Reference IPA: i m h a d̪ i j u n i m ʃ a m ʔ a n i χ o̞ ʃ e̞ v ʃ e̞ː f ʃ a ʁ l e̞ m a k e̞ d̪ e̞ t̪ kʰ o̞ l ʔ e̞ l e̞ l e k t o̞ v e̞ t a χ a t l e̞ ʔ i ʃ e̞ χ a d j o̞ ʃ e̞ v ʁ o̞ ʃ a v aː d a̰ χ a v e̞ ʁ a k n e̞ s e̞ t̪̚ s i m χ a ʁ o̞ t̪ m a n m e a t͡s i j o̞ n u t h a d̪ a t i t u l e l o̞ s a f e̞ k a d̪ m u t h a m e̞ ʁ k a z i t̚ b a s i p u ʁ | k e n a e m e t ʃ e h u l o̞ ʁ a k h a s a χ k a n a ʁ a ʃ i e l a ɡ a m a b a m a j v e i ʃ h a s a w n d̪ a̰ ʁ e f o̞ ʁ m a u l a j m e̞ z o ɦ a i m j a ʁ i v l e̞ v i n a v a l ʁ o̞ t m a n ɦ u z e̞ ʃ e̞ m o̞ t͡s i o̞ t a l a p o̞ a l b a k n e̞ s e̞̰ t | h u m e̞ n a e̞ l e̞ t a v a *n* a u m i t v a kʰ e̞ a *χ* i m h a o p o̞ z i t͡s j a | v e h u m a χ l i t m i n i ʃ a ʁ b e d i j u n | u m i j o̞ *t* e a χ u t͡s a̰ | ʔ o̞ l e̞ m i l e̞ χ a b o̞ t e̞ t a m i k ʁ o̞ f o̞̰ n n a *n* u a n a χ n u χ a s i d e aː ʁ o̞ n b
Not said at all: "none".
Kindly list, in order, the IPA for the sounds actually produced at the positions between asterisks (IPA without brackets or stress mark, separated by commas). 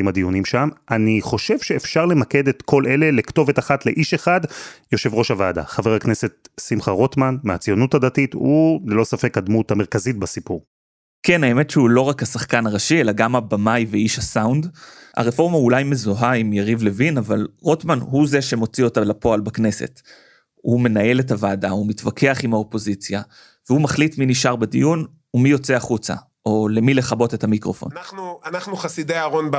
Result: d, χ, t͡s, n